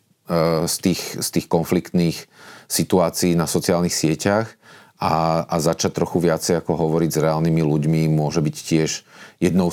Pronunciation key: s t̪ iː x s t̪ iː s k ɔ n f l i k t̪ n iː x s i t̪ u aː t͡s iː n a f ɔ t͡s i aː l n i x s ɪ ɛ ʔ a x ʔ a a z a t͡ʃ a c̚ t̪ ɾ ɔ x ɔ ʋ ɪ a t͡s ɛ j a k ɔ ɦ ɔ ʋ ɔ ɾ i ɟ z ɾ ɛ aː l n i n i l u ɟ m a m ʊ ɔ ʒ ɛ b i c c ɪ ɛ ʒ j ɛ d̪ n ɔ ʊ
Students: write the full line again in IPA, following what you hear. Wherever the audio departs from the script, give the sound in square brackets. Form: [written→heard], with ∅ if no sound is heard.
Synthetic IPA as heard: s t̪ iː x s t̪ iː [s→x] k ɔ n f l i k t̪ n iː x s i t̪ u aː t͡s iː n a [f→s] ɔ t͡s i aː l n i x s ɪ ɛ [ʔ→c] a x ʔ a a z a t͡ʃ a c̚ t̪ ɾ ɔ x [ɔ→u] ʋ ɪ a t͡s ɛ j a k ɔ ɦ ɔ ʋ ɔ ɾ i ɟ z ɾ ɛ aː l n i [n→m] i l u ɟ m [a→i] m ʊ ɔ ʒ ɛ b i c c ɪ ɛ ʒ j ɛ d̪ n ɔ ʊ